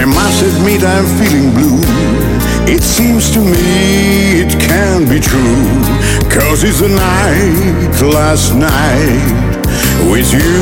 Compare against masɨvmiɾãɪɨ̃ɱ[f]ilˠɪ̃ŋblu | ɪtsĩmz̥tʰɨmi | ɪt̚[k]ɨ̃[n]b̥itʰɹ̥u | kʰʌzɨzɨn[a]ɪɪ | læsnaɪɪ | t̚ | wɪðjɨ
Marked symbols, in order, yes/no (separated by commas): yes, no, yes, yes